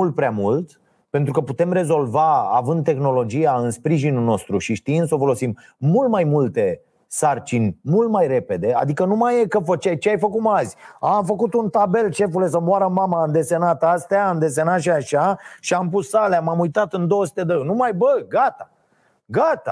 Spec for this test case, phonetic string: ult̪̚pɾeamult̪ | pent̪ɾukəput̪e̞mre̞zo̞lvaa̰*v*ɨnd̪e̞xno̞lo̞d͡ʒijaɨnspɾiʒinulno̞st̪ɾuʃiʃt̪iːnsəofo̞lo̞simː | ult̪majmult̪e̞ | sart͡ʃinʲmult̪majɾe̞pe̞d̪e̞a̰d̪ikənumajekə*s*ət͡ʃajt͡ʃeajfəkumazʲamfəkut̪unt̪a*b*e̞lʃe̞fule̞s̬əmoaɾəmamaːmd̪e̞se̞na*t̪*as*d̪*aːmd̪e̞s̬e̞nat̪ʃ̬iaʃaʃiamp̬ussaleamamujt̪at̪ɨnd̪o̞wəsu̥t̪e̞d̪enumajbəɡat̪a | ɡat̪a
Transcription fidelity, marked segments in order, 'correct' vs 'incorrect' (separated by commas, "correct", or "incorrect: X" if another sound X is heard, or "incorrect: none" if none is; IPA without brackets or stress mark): correct, incorrect: f, correct, correct, incorrect: t̪